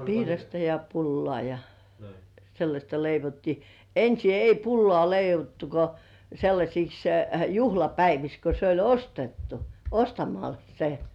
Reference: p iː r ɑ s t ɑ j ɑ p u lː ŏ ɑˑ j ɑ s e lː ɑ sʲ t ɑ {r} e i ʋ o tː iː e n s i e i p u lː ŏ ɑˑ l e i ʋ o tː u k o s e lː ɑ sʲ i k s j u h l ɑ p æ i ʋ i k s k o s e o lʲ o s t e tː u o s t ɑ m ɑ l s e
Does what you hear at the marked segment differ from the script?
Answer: yes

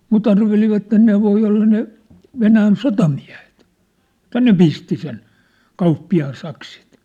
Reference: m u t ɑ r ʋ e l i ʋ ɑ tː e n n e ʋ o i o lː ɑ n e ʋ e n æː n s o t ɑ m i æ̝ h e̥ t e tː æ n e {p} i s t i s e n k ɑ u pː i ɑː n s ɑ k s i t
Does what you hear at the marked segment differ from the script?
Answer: no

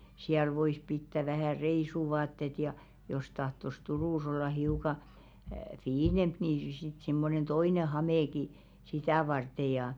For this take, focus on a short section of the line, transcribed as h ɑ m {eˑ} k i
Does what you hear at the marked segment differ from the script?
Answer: no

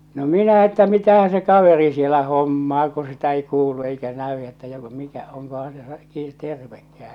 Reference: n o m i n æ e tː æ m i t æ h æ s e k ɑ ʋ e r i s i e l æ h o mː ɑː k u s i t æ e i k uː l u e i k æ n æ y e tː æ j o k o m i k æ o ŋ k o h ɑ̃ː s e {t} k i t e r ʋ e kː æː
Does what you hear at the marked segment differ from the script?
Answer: yes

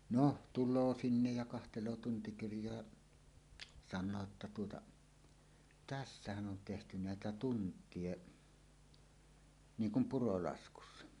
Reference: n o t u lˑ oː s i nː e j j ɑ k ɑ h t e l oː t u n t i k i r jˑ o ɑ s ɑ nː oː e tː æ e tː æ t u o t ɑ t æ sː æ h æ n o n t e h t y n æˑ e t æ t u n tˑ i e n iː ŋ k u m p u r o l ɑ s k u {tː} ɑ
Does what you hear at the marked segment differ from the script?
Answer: yes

